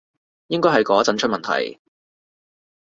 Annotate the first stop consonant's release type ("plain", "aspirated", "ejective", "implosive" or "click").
plain